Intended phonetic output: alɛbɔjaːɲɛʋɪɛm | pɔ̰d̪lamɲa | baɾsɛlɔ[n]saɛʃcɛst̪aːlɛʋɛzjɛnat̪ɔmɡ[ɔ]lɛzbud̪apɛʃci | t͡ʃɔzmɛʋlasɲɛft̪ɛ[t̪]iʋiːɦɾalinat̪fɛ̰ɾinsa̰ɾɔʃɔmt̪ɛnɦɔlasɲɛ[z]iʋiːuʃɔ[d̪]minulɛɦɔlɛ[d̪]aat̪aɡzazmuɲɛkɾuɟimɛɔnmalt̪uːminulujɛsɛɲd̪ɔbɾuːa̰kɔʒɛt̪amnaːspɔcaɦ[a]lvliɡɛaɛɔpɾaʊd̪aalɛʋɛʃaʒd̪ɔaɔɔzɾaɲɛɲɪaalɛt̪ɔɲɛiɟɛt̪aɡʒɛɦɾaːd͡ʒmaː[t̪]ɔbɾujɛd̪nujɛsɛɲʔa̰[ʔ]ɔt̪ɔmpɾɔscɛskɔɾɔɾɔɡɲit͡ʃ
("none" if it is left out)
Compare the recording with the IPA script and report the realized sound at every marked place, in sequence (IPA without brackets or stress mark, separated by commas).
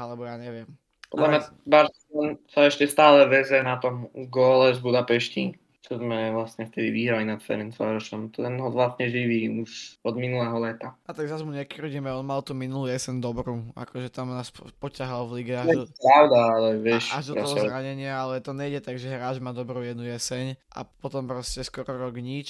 n, ɔː, d̪, ʒ, d̪, t̪, a, d̪, p